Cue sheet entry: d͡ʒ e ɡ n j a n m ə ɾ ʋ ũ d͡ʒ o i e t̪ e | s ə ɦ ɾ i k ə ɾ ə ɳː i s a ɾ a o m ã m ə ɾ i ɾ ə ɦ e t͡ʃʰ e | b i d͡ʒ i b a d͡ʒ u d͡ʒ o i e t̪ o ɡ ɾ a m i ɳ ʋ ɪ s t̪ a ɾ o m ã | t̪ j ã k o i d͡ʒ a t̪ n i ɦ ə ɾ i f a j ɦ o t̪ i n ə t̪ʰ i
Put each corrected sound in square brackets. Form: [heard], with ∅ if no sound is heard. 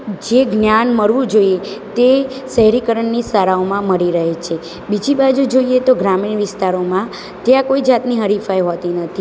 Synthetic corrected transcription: d͡ʒ e ɡ n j a n m ə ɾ ʋ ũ d͡ʒ o i e t̪ e | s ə ɦ ɾ i k ə ɾ ə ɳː i s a ɾ a o m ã m ə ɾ i ɾ ə ɦ e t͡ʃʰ e | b i d͡ʒ i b a d͡ʒ u d͡ʒ o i e t̪ o ɡ ɾ a m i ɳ ʋ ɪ s t̪ a ɾ o m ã | t̪ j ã k o i d͡ʒ a t̪ n i ɦ ə ɾ i f a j ɦ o t̪ i n ə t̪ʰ i